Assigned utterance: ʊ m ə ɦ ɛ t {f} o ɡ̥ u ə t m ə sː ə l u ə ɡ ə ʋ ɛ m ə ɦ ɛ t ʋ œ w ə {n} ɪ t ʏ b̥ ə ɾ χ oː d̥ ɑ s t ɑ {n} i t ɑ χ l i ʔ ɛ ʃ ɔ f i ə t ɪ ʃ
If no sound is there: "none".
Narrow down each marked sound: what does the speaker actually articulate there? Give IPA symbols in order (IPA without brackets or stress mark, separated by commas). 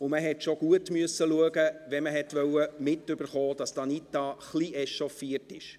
ʃ, m, n